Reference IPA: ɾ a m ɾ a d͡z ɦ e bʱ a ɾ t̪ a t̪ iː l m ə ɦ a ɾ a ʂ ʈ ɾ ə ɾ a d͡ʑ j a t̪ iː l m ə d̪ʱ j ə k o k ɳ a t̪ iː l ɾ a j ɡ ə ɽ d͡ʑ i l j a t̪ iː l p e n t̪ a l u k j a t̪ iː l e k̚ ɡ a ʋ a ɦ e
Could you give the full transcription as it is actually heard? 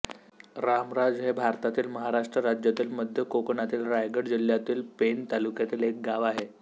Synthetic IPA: ɾ a m ɾ a d͡z ɦ e bʱ a ɾ t̪ a t̪ iː l m ə ɦ a ɾ a ʂ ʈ ɾ ə ɾ a d͡ʑ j a t̪ iː l m ə d̪ʱ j ə k o k ɳ a t̪ iː l ɾ a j ɡ ə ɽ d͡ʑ i l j a t̪ iː l p e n t̪ a l u k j a t̪ iː l e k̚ ɡ a ʋ a ɦ e

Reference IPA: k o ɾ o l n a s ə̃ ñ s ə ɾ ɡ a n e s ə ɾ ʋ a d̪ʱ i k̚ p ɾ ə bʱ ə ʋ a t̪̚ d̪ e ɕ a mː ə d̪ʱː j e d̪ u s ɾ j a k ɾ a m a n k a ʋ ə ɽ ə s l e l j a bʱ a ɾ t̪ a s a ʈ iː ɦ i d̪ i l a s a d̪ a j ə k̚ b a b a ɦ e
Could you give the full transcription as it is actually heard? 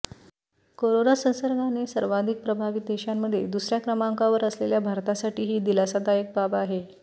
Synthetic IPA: k o ɾ o n a s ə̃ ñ s ə ɾ ɡ a n e s ə ɾ ʋ a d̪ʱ i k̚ p ɾ ə bʱ a ʋ i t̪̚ d̪ e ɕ a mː ə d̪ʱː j e d̪ u s ɾ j a k ɾ ə m a ŋ k a ʋ ə ɾ ə s l e l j a bʱ a ɾ t̪ a s a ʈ iː ɦ iː d̪ i l a s a d̪ a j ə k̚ b a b a ɦ e

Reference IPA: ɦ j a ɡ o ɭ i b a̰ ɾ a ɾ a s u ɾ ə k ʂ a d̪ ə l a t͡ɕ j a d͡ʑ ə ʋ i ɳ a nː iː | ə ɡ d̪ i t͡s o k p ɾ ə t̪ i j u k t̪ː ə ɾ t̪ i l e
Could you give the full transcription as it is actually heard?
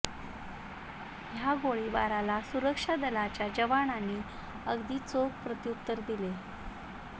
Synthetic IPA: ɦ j a ɡ o ɭ i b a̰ ɾ a l a s u ɾ ə k ʂ a d̪ ə l a t͡ɕ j a d͡ʑ ə ʋ a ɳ a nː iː | ə ɡ d̪ iː t͡s o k p ɾ ə t̪ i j u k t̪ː ə ɾ d̪ i l e

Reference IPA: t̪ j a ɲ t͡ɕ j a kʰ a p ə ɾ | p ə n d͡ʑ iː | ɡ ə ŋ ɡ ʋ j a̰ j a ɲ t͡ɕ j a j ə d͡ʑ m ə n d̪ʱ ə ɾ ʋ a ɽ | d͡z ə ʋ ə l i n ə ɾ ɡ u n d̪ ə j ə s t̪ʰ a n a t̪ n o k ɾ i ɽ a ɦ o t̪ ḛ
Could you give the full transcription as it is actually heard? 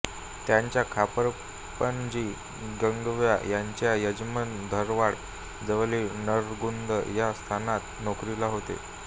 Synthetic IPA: t̪ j a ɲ t͡ɕ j a kʰ a p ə ɾ | p ə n d͡ʑ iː | ɡ ə ŋ ɡ ʋ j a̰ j a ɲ t͡ɕ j a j ə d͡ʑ m ə n d̪ʱ ə ɾ ʋ a ɽ | d͡z ə ʋ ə l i n ə ɾ ɡ u n d̪ ə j a s t̪ʰ a n a t̪ n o k ɾ i l a ɦ o t̪ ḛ

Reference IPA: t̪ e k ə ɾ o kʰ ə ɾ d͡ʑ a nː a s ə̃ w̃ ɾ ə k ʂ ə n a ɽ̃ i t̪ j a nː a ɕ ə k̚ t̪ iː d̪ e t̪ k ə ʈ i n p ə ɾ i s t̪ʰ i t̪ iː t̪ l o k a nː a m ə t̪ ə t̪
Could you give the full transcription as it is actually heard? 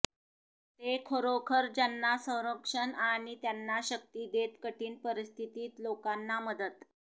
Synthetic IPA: t̪ e kʰ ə ɾ o kʰ ə ɾ d͡ʑ a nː a s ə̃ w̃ ɾ ə k ʂ ə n a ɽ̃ i t̪ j a nː a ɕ ə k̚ t̪ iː d̪ e t̪ k ə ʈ iː n p ə ɾ i s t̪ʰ i t̪ iː t̪ l o k a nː a m ə d̪ ə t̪

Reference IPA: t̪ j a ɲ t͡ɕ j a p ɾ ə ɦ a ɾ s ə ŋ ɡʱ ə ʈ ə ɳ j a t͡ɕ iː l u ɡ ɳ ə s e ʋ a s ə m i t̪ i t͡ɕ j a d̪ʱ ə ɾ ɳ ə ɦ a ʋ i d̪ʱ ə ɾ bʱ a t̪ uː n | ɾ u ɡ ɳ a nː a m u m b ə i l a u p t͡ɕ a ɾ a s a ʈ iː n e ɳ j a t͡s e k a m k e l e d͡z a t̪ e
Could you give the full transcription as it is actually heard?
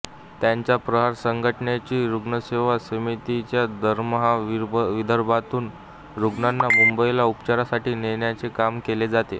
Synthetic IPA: t̪ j a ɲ t͡ɕ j a p ɾ ə ɦ a ɾ s ə ŋ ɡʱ ə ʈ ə ɳ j a t͡ɕ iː ɾ u ɡ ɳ ə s e ʋ a s ə m i t̪ i t͡ɕ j a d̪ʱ ə ɾ m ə ɦ a ʋ i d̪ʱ ə ɾ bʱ a t̪ uː n | ɾ u ɡ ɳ a nː a m u m b ə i l a u p t͡ɕ a ɾ a s a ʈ iː n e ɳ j a t͡s e k a m k e l e d͡z a t̪ e

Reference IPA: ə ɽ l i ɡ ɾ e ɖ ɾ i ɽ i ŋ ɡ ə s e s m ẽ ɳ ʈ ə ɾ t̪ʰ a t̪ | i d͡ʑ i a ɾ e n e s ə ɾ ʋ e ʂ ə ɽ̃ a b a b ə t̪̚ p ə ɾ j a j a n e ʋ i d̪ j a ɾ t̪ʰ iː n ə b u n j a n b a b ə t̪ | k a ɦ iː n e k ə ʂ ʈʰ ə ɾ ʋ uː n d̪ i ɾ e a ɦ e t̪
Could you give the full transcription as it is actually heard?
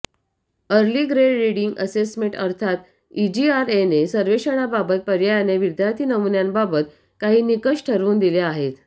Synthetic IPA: ə ɾ l i ɡ ɾ e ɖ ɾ i ɽ i ŋ ɡ ə s e s m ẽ ɳ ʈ ə ɾ t̪ʰ a t̪ | i d͡ʑ i a ɾ e n e s ə ɾ ʋ e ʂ ə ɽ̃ a b a b ə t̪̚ p ə ɾ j a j a n e ʋ i d̪ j a ɾ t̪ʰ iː n ə m u n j a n b a b ə t̪ | k a ɦ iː n i k ə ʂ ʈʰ ə ɾ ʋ uː n d̪ i l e a ɦ e t̪

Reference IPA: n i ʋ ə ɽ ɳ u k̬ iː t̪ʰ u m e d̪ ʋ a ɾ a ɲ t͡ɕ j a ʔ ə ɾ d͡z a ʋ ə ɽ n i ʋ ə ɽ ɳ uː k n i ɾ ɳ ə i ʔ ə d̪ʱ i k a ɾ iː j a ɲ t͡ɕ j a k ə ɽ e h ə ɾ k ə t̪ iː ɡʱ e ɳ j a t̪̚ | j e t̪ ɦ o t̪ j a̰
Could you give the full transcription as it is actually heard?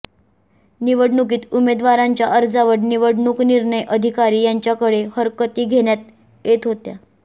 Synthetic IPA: n i ʋ ə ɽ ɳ u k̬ iː t̪ u m e d̪ ʋ a ɾ a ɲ t͡ɕ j a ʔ ə ɾ d͡z a ʋ ə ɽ n i ʋ ə ɽ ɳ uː k n i ɾ ɳ ə j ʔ ə d̪ʱ i k a ɾ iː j a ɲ t͡ɕ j a k ə ɽ e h ə ɾ k ə t̪ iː ɡʱ e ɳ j a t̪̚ | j e t̪ ɦ o t̪ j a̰

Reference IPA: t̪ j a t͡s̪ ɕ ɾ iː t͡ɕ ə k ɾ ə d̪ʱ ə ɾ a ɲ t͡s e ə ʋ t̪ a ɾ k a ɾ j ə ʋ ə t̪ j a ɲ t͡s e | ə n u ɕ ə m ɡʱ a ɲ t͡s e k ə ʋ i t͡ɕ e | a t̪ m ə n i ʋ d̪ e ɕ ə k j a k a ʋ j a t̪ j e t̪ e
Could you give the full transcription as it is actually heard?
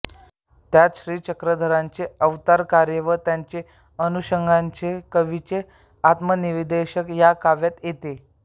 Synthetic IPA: t̪ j a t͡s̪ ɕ ɾ iː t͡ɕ ə k ɾ ə d̪ʱ ə ɾ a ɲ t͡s e ə ʋ t̪ a ɾ k a ɾ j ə ʋ ə t̪ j a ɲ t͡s e | ə n u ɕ ə ŋ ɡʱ a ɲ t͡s e k ə ʋ i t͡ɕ e | a t̪ m ə n i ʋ d̪ e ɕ ə k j a k a ʋ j a t̪ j e t̪ e

